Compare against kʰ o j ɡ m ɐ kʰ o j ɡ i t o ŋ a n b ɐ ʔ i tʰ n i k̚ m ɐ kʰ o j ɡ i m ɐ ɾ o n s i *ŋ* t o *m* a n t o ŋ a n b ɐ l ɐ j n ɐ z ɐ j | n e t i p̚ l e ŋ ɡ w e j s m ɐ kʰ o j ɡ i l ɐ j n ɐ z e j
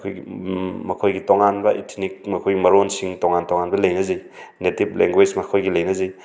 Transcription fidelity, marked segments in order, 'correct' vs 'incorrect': correct, incorrect: ŋ

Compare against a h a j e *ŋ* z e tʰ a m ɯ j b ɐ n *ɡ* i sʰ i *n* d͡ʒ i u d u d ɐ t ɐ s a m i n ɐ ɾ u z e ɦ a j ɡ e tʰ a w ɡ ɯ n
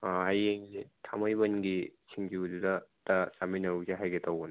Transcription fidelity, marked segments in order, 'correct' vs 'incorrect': correct, correct, incorrect: ŋ

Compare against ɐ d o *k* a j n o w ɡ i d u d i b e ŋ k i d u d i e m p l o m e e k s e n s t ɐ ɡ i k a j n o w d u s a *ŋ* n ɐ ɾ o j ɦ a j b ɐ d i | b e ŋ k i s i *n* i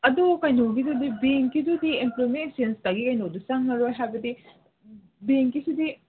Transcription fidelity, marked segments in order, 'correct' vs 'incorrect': correct, correct, incorrect: d

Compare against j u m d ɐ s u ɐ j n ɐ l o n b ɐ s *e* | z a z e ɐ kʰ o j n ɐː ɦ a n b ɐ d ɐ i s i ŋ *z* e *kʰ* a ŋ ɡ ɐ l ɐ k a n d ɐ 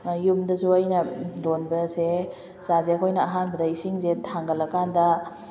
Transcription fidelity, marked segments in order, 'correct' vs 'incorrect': correct, correct, incorrect: tʰ

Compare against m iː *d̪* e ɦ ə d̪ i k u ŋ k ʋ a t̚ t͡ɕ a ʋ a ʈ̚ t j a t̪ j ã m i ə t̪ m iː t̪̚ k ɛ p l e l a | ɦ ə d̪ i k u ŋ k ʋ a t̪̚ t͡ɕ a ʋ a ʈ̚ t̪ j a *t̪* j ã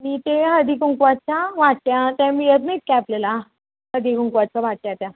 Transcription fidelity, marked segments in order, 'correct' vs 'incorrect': incorrect: t̪, correct

